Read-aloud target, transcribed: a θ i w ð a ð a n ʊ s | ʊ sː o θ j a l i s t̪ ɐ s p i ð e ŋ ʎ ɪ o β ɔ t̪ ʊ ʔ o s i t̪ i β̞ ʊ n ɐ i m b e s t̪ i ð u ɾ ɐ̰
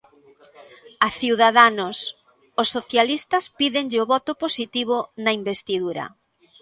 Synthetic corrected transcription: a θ i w ð a ð a n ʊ s | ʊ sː o θ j a l i s t̪ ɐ s p i ð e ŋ ʎ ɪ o β ɔ t̪ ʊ p o s i t̪ i β̞ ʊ n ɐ i m b e s t̪ i ð u ɾ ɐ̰